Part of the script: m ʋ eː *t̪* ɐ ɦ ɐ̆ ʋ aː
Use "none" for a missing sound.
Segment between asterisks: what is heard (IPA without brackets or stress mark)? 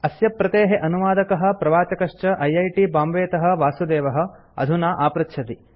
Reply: t̪